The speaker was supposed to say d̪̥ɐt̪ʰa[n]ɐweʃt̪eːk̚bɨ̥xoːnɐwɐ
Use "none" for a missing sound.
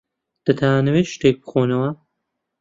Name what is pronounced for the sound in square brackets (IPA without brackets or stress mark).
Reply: n